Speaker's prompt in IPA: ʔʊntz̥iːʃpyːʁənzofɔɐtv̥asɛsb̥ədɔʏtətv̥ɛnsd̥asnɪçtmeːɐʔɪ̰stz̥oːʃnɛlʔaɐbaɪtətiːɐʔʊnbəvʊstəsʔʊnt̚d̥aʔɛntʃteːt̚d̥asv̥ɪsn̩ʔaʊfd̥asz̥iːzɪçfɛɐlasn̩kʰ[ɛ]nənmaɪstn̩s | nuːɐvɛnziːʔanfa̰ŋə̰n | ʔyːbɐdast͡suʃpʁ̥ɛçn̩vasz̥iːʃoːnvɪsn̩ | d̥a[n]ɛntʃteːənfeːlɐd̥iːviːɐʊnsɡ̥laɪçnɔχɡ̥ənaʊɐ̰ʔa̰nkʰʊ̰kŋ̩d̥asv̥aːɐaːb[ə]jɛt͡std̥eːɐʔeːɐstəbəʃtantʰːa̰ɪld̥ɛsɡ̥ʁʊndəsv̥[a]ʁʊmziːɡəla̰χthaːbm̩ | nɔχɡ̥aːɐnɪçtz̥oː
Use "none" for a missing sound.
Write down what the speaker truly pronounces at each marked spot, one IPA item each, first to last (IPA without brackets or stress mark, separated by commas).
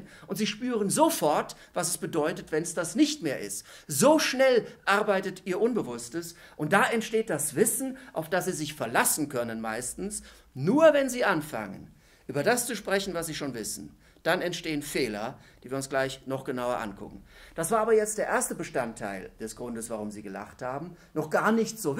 œ, n, ɐ, a